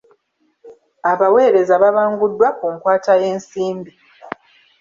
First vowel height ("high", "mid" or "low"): low